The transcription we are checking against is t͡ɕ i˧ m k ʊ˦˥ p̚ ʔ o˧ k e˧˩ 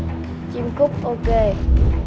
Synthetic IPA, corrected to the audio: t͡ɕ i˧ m k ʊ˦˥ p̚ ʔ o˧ k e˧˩